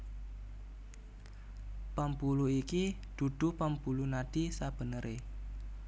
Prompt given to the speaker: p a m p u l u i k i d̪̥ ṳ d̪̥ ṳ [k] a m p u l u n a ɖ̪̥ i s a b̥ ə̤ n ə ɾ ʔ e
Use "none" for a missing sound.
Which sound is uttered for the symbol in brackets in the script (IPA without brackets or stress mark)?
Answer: p